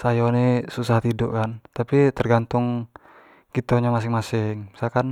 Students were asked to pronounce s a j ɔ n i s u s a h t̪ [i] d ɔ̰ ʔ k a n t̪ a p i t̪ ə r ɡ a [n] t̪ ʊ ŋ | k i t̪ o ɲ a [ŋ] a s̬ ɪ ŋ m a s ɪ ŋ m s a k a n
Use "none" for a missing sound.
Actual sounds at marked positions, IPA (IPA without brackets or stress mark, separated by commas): i, n, m